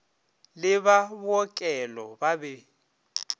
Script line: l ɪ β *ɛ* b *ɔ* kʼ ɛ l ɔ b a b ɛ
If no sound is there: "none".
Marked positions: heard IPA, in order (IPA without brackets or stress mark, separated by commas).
a, ɔ